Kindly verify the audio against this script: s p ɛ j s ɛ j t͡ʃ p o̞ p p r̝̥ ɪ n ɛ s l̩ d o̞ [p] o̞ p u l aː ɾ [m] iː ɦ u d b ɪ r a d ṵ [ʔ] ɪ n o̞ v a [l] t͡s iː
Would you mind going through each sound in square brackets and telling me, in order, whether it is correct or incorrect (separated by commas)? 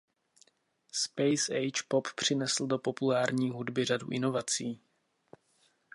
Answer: correct, incorrect, correct, incorrect